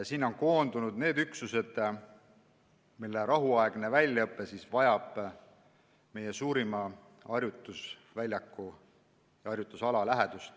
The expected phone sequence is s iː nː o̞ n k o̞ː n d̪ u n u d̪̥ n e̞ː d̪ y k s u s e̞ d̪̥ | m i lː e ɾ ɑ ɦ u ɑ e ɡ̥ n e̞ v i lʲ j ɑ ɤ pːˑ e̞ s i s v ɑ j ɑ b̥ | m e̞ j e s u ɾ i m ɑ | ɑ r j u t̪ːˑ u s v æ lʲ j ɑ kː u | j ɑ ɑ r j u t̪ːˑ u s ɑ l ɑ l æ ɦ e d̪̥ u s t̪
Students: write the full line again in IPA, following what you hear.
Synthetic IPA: s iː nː o̞ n k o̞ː n d̪ u n u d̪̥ n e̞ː d̪ y k s u s e̞ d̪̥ | m i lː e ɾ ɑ ɦ u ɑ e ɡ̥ n e̞ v æ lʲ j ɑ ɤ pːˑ e̞ s i s v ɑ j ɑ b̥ | m e̞ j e s uː ɾ i m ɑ | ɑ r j u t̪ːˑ u s v æ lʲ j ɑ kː u | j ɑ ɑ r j u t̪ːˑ u s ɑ l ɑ l æ ɦ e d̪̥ u s t̪